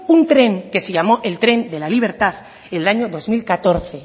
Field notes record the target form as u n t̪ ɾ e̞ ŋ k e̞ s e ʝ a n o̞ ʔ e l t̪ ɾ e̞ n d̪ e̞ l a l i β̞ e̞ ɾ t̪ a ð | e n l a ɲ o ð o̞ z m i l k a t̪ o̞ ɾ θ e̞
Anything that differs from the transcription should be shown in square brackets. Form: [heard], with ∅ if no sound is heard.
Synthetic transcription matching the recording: u n t̪ ɾ e̞ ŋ k e̞ s e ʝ a [m] o̞ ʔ e l t̪ ɾ e̞ n d̪ e̞ l a l i β̞ e̞ ɾ t̪ a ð | e n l a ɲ o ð o̞ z m i l k a t̪ o̞ ɾ θ e̞